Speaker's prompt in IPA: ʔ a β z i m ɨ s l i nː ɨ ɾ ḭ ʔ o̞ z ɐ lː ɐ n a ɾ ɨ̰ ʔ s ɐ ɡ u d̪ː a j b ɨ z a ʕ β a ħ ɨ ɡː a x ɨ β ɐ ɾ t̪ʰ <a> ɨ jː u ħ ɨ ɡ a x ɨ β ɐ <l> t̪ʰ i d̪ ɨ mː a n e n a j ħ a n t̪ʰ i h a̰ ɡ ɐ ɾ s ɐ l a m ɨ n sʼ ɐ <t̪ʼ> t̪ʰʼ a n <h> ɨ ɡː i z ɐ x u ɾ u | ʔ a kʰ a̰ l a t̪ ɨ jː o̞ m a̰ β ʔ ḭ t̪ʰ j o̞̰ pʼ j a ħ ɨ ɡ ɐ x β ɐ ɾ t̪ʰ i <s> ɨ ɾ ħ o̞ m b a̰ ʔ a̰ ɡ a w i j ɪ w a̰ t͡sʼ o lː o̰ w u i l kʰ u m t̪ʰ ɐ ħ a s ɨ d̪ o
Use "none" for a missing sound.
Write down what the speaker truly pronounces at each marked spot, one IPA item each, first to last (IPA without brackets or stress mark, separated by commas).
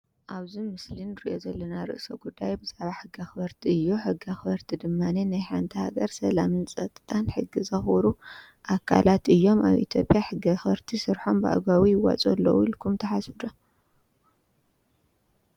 i, ɾ, t̪ʼ, ħ, s